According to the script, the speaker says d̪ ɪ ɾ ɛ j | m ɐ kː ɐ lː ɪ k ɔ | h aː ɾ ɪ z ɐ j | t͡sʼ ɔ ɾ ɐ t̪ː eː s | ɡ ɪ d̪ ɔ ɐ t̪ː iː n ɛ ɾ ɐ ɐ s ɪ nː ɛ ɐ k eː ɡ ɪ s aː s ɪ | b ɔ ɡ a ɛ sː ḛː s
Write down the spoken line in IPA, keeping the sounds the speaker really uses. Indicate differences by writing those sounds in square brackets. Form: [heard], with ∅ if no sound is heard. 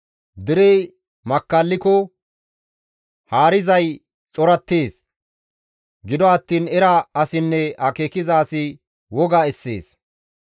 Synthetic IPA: d̪ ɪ ɾ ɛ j | m ɐ kː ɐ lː ɪ k ɔ | h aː ɾ ɪ z ɐ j | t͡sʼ ɔ ɾ ɐ t̪ː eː s | ɡ ɪ d̪ ɔ ɐ t̪ː iː n ɛ ɾ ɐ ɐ s ɪ nː ɛ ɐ k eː [k] ɪ [z] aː s ɪ | [w] ɔ ɡ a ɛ sː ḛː s